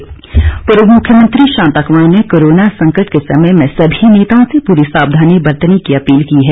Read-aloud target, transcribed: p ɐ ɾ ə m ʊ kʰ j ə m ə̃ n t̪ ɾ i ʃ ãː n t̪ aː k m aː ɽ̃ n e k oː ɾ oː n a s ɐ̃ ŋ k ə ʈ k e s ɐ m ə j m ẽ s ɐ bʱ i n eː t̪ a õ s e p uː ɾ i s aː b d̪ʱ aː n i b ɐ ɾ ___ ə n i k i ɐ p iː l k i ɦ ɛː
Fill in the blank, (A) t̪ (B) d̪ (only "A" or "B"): A